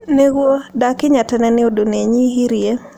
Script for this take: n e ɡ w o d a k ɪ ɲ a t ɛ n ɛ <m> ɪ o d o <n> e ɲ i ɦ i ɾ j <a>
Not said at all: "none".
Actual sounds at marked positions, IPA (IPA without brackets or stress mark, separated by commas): n, n, e